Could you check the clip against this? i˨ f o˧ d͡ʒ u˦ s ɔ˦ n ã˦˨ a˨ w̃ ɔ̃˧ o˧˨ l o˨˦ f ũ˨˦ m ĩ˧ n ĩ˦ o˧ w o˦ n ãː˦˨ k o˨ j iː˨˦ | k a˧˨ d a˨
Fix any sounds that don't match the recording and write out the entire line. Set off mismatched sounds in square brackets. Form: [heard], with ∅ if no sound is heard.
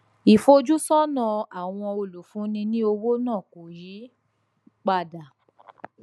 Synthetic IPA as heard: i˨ f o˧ d͡ʒ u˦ s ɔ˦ n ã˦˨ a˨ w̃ ɔ̃˧ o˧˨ l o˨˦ f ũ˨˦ [n] ĩ˧ n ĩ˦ o˧ w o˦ n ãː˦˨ k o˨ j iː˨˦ | [k͡p] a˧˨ d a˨